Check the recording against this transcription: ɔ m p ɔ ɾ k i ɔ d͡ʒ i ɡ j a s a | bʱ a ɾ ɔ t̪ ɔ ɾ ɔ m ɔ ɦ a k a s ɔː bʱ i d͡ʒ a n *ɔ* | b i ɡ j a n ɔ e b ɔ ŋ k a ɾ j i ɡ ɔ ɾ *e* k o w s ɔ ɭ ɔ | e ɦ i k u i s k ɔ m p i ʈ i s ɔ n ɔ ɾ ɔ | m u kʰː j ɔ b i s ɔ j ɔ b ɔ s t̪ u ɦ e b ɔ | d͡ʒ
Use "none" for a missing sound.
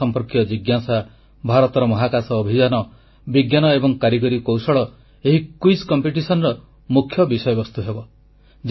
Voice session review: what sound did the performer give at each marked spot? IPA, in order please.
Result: ɔ, i

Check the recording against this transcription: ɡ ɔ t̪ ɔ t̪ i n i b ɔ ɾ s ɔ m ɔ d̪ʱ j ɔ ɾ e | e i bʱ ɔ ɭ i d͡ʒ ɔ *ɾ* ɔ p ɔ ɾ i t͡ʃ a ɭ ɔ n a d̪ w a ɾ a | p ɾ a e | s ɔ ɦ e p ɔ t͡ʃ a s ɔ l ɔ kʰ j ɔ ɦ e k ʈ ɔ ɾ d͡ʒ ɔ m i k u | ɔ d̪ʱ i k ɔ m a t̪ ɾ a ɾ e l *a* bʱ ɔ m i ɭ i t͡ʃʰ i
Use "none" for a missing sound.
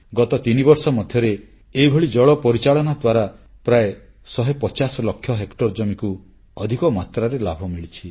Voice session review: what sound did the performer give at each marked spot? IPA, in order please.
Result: ɭ, a

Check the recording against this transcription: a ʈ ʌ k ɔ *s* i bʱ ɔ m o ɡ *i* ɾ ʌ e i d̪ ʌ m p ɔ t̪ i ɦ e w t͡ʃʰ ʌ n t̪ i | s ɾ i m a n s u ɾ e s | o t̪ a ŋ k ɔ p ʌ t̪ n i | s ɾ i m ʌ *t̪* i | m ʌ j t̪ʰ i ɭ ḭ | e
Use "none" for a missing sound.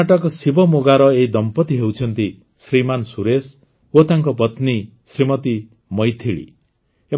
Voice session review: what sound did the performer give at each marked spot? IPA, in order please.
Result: s, a, t̪

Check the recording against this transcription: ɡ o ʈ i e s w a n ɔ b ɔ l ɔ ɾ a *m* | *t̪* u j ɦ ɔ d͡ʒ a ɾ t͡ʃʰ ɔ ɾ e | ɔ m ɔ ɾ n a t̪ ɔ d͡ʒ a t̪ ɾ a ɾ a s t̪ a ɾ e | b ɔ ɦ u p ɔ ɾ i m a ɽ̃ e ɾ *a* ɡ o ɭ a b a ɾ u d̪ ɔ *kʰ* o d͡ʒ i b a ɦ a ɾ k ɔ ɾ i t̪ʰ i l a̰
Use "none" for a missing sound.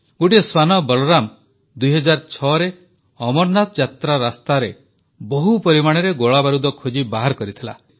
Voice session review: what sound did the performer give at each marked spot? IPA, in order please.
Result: m, d̪, e, kʰ

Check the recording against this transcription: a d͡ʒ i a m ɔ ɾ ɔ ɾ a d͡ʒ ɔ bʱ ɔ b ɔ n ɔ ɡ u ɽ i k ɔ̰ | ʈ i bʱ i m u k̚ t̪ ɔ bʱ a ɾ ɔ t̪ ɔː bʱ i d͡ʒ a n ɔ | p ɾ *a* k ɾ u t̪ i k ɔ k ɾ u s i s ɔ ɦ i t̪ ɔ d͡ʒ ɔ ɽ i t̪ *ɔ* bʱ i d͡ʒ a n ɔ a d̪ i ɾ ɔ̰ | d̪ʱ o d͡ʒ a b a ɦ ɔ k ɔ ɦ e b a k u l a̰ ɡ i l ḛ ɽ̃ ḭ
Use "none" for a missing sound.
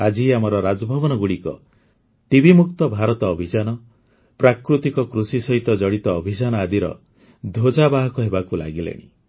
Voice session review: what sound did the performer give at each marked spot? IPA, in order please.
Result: a, ɔː

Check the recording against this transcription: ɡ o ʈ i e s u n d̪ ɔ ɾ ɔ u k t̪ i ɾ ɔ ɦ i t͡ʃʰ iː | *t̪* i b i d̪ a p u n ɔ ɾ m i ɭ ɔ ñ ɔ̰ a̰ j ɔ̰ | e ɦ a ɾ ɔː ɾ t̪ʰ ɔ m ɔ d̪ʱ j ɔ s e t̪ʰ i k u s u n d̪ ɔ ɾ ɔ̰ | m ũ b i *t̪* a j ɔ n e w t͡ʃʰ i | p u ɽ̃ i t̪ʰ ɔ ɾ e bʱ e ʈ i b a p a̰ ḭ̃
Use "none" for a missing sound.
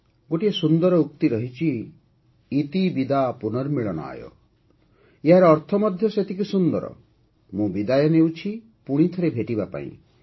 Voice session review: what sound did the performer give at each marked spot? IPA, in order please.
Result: t̪, d̪

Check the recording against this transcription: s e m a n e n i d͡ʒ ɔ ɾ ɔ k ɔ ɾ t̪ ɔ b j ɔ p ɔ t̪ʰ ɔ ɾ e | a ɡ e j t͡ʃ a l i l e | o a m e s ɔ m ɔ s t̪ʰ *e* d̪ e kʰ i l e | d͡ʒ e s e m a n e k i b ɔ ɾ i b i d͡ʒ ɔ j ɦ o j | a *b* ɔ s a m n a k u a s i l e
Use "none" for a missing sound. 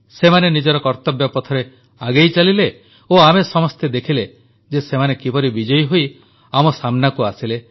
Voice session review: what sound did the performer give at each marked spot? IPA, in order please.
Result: e, m

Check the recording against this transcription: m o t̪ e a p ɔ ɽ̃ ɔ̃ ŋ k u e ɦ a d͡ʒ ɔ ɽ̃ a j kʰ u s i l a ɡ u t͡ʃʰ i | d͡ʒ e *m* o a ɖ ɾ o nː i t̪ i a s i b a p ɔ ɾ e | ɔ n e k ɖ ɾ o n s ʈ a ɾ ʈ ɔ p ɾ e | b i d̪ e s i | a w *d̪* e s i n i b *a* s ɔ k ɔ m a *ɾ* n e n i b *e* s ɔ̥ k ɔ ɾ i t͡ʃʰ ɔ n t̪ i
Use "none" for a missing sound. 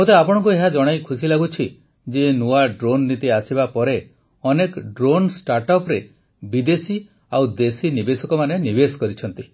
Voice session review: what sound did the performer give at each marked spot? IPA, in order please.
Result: n, d̪, e, none, e

